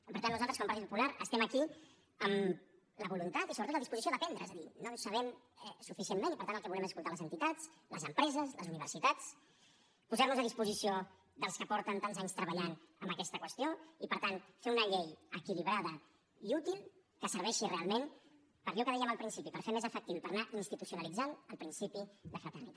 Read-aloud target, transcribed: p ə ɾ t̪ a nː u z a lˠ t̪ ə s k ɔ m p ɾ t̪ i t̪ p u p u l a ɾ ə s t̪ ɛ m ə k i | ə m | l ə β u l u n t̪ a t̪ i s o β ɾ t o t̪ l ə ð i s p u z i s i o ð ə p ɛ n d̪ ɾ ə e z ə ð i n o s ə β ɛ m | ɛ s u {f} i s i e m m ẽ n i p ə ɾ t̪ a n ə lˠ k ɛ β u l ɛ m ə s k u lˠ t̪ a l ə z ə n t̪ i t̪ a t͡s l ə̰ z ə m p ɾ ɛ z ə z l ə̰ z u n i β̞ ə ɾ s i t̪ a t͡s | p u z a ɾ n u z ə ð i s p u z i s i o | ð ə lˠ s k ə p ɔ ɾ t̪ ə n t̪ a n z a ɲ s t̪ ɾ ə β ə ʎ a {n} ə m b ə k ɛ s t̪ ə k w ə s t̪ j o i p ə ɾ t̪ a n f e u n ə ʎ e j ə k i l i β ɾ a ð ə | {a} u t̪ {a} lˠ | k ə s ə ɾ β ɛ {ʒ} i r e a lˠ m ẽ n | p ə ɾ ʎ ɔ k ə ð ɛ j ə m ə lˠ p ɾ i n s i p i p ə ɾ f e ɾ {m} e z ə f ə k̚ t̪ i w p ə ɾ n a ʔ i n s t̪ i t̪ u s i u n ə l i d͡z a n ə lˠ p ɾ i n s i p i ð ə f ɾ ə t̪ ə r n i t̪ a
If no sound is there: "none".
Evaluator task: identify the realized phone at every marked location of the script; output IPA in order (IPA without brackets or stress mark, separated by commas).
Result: f, n, i, i, ʃ, m